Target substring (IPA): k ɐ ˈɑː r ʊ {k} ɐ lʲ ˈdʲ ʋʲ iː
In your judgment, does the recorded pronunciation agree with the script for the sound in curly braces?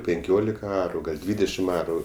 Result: no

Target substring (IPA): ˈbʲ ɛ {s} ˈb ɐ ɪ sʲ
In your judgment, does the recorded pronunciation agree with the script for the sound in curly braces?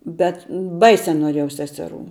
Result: no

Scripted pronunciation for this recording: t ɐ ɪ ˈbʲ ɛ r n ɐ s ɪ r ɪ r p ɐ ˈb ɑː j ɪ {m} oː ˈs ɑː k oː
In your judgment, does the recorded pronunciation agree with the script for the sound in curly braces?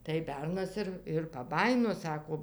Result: no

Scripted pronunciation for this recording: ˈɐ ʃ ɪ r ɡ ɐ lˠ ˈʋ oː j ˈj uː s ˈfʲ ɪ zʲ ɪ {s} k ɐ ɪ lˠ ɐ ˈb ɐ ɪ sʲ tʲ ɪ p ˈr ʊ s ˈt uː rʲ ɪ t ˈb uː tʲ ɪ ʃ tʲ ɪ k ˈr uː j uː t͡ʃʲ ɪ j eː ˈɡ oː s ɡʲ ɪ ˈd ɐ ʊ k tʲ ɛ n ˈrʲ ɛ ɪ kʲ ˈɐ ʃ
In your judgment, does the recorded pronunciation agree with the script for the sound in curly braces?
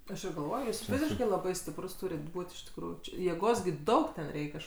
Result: no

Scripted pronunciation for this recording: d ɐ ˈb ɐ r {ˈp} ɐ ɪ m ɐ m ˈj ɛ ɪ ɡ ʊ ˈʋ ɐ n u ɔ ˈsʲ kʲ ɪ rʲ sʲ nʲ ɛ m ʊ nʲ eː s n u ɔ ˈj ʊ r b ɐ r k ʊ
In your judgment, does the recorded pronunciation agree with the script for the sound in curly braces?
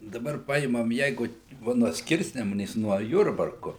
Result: yes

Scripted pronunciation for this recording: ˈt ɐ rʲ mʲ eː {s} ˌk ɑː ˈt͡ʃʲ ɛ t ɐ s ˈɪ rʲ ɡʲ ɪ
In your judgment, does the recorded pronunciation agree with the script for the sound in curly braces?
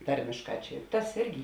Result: no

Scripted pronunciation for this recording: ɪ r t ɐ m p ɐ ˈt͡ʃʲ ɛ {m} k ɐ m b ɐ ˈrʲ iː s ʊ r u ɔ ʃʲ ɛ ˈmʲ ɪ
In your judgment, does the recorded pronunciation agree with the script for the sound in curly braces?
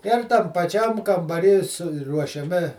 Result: yes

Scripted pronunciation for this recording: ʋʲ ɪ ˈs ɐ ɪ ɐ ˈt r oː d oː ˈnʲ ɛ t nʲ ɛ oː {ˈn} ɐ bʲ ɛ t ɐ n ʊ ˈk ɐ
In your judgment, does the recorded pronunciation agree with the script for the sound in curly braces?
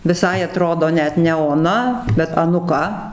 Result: yes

